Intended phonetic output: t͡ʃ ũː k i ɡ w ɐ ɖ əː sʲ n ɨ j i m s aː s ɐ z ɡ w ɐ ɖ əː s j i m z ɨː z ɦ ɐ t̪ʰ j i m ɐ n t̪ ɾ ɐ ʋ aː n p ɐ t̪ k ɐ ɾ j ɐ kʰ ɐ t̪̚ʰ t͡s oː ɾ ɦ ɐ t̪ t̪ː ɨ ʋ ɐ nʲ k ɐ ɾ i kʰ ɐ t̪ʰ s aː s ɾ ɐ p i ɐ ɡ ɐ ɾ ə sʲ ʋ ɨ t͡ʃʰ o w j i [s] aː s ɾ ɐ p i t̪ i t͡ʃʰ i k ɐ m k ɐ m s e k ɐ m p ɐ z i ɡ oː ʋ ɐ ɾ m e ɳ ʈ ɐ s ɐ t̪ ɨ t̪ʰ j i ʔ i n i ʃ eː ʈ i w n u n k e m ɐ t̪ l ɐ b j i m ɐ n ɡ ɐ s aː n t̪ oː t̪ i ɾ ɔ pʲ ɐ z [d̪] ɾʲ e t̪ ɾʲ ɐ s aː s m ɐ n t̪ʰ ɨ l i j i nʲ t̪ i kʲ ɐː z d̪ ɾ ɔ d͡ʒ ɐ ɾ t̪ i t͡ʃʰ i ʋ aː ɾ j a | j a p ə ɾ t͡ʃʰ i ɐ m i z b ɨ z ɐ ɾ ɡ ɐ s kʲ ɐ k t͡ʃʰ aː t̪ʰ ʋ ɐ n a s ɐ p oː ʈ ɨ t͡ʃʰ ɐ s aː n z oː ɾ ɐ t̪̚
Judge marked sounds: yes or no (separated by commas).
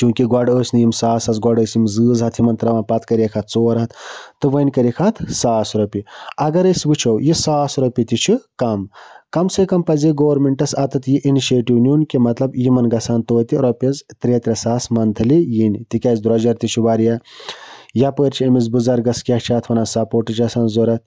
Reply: yes, no